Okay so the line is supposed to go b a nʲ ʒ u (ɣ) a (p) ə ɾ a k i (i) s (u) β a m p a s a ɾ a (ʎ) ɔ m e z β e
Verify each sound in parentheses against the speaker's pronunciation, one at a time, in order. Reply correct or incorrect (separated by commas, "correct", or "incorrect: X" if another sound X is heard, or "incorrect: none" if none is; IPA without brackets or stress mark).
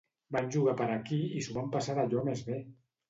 correct, correct, correct, correct, correct